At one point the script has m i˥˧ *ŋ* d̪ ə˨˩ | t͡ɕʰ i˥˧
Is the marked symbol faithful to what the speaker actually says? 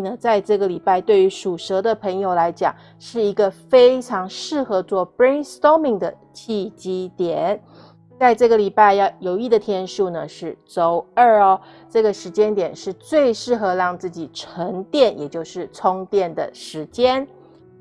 yes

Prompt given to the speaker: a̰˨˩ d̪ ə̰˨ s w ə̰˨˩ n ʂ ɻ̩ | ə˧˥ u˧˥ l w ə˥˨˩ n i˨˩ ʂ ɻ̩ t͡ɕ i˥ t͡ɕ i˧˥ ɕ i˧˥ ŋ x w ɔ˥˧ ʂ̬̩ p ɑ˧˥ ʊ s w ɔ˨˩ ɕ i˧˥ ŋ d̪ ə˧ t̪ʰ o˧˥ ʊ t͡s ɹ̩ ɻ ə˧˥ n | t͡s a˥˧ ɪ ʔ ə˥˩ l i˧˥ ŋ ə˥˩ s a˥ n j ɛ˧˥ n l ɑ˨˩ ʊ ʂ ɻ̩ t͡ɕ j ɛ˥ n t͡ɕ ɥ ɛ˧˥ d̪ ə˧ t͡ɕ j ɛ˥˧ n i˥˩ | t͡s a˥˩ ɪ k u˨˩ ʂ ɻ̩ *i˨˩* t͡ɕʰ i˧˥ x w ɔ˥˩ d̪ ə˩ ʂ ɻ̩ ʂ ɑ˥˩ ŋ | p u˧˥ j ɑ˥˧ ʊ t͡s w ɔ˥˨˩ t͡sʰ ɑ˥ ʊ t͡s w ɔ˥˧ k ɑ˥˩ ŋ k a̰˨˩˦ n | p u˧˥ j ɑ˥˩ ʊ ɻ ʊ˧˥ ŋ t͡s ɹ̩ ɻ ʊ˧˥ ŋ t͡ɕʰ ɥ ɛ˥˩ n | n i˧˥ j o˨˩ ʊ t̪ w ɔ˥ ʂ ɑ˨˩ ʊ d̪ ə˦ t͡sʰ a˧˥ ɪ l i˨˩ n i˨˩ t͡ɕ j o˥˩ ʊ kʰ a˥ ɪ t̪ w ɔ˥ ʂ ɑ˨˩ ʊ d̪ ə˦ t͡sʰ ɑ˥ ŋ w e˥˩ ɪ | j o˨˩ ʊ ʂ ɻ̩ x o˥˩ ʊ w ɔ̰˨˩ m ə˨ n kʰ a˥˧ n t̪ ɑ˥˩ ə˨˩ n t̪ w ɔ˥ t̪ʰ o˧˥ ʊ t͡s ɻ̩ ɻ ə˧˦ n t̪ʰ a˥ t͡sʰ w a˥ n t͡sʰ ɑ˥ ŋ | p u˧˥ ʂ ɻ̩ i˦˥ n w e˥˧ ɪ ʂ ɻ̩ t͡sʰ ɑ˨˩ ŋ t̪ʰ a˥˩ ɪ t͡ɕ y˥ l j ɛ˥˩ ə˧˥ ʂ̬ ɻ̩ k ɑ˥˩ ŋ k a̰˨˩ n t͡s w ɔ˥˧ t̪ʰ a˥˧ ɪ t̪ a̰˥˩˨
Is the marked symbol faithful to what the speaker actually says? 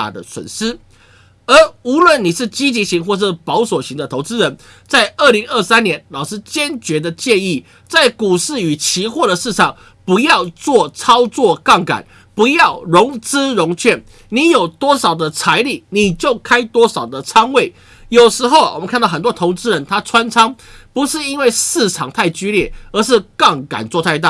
no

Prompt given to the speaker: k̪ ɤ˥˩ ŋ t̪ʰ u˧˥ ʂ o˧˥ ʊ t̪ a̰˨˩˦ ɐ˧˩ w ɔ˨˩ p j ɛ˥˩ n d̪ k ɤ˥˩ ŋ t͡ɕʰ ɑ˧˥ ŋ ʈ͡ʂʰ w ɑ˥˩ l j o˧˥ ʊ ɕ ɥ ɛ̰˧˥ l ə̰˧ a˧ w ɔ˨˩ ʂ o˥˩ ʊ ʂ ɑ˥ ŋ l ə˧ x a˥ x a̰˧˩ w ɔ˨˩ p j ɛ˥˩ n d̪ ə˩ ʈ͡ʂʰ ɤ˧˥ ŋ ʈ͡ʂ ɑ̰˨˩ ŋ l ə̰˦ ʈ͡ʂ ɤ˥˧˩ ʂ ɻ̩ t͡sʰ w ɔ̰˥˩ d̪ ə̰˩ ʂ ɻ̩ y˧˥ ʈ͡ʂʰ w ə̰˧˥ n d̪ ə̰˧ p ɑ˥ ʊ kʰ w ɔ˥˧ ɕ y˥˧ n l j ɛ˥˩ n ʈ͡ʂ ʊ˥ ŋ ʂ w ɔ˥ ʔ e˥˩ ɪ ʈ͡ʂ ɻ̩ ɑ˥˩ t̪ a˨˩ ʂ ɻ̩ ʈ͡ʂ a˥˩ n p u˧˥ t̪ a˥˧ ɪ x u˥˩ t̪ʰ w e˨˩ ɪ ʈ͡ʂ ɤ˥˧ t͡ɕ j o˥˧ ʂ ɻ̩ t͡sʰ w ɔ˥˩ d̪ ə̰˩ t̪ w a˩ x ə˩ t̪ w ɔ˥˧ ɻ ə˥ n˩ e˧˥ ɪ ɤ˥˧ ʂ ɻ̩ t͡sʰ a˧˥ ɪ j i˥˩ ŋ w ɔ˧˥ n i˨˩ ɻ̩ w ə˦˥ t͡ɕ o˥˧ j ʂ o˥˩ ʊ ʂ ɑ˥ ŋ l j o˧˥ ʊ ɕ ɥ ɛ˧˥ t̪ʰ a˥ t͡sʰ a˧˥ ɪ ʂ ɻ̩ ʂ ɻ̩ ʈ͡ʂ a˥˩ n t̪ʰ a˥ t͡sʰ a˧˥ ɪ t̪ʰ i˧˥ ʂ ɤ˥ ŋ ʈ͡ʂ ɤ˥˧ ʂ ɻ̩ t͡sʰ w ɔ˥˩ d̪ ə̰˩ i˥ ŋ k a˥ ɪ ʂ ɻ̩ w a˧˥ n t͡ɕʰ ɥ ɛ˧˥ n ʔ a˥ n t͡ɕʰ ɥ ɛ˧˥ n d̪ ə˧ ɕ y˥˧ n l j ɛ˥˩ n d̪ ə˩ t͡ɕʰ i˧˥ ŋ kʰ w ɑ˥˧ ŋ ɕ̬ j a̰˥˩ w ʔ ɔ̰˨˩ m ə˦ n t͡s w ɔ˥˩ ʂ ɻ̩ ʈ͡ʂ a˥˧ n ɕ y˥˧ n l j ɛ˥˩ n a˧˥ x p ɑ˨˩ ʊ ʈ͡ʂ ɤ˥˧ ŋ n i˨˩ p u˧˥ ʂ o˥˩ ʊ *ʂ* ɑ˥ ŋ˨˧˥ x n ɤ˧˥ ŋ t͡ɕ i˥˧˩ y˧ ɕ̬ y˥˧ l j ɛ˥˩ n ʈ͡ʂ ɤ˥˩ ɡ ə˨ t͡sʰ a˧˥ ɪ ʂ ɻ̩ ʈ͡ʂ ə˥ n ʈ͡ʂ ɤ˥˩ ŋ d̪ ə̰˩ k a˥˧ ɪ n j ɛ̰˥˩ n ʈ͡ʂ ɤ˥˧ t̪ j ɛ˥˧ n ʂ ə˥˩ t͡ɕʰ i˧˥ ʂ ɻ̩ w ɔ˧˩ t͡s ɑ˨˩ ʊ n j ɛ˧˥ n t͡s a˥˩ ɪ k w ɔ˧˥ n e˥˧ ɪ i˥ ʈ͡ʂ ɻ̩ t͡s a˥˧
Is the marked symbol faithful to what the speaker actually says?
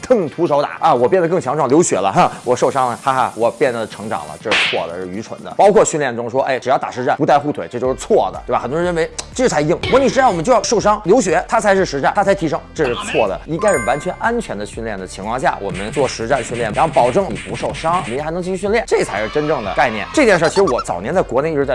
yes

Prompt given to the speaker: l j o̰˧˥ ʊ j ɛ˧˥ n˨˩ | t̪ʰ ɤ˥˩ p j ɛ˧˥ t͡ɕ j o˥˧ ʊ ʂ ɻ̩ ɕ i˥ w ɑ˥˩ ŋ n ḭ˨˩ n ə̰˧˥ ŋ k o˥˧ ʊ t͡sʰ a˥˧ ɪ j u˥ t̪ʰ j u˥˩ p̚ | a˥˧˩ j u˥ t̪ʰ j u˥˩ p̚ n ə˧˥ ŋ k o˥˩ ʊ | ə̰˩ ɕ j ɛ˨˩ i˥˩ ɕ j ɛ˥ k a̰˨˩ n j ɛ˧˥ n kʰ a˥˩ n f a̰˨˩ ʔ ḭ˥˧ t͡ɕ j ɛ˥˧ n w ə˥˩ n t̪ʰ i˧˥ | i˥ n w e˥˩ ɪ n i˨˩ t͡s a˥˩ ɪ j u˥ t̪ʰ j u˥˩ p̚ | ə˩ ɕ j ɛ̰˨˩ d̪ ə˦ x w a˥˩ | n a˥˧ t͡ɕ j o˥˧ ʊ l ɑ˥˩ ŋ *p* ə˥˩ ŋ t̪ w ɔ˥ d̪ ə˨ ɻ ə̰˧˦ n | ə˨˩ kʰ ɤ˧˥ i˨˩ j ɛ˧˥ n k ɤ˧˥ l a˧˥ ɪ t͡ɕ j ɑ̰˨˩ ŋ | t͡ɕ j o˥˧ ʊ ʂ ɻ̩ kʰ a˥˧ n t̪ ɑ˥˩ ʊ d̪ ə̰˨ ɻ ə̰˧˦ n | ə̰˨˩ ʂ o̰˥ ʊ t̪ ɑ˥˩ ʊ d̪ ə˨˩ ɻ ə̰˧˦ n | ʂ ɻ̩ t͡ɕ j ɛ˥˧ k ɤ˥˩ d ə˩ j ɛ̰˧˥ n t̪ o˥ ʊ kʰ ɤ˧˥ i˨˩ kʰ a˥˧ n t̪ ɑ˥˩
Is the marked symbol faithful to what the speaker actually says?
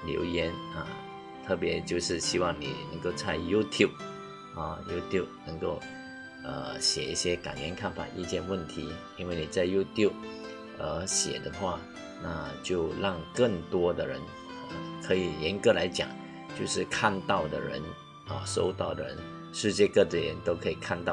no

